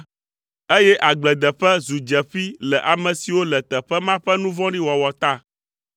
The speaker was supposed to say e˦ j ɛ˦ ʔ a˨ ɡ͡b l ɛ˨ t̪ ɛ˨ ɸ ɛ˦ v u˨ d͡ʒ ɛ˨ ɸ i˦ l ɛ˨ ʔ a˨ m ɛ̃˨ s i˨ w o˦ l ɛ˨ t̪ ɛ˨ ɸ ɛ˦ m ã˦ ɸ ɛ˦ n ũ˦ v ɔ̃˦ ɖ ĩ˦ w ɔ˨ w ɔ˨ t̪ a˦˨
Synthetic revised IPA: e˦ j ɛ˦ ʔ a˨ ɡ͡b l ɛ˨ d̪ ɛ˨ ɸ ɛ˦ z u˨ d͡ʒ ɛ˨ ɸ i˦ l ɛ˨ ʔ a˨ m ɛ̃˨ s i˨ w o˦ l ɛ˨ t̪ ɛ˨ ɸ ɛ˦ m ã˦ ɸ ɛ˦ n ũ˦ v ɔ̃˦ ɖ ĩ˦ w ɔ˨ w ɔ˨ t̪ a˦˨